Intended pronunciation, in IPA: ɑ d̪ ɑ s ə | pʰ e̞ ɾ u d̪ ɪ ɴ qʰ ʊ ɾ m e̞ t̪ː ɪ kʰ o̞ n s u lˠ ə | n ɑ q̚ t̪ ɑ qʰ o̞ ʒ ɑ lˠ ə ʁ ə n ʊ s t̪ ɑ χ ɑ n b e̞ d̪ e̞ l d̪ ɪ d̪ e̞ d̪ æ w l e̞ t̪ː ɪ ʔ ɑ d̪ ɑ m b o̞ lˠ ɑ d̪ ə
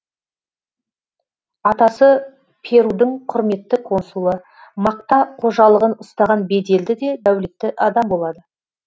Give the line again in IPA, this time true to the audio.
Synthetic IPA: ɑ t̪ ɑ s ə | pʰ e̞ ɾ u d̪ ɪ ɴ qʰ ʊ ɾ m e̞ t̪ː ɪ kʰ o̞ n s u lˠ ə | m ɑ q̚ t̪ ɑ qʰ o̞ ʒ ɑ lˠ ə ʁ ə n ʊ s t̪ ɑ ʁ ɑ n b e̞ d̪ e̞ l d̪ ɪ d̪ e̞ d̪ æ w l e̞ t̪ː ɪ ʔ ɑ d̪ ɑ m b o̞ lˠ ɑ d̪ ə

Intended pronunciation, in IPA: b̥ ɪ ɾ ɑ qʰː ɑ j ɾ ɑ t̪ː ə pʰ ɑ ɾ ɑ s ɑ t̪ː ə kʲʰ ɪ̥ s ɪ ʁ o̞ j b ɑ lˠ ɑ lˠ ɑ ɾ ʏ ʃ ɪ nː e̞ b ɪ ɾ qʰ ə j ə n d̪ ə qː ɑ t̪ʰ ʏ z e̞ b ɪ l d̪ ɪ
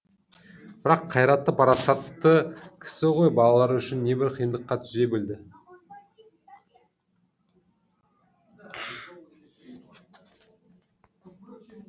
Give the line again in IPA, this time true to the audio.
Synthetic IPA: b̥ ɪ ɾ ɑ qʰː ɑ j ɾ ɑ t̪ː ə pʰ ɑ ɾ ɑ s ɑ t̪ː ə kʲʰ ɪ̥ s ɪ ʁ o̞ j b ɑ lˠ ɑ lˠ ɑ ɾ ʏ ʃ ɪ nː e̞ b ɪ ɾ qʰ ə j ə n d̪ ə qː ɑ t̪ʰ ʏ z e̞ b ɪ l d̪ ɪ

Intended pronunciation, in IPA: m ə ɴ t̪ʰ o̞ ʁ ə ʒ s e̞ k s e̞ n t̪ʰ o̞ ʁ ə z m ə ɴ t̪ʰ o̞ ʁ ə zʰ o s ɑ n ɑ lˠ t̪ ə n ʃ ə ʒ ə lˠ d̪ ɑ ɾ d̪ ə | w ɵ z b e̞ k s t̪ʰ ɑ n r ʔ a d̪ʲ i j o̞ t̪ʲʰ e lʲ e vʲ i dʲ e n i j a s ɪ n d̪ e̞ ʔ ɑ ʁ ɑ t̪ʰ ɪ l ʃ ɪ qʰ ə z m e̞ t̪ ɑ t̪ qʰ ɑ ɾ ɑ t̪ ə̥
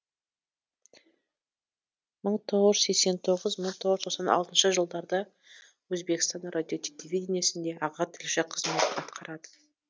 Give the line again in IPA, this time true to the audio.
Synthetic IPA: m ə ɴ t̪ʰ o̞ ʁ ə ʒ s e̞ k s e̞ n t̪ʰ o̞ ʁ ə z m ə ɴ t̪ʰ o̞ ʁ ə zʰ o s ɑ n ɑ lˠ t̪ ə n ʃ ə ʒ ə lˠ d̪ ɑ ɾ d̪ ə | w ɵ z b e̞ k s t̪ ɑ n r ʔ a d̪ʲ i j o̞ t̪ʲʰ e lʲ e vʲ i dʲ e n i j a s ɪ n d̪ e̞ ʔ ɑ ʁ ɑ t̪ʰ ɪ l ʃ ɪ qʰ ə z m e̞ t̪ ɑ t̪ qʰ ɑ ɾ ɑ d̪ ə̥

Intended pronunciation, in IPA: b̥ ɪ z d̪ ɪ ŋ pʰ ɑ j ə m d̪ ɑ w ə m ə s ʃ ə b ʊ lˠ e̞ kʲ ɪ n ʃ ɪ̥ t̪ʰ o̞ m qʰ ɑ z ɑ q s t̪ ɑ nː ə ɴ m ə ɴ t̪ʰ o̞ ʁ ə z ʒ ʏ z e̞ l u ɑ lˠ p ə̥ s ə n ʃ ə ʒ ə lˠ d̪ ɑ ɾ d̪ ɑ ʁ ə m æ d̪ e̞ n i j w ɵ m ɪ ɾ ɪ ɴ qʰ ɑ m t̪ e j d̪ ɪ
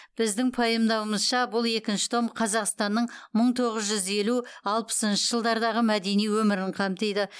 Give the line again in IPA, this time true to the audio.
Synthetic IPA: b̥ ɪ z d̪ ɪ ŋ pʰ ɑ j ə m d̪ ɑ w ə m ə z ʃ ɑ b ʊ lˠ e̞ kʲ ɪ n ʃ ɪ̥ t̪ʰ o̞ m qʰ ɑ z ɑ q s t̪ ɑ nː ə ɴ m ə ɴ t̪ʰ o̞ ʁ ə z ʒ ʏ z e̞ l u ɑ lˠ p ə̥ s ə n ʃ ə ʒ ə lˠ d̪ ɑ ɾ d̪ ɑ ʁ ə m æ d̪ e̞ n i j w ɵ m ɪ ɾ ɪ ɴ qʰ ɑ m t̪ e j d̪ ɪ

